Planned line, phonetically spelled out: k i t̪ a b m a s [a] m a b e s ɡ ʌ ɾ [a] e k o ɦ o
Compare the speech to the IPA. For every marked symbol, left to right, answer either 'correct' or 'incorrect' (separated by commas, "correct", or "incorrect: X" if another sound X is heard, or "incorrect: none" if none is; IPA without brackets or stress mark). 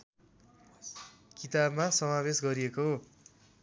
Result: incorrect: ʌ, incorrect: i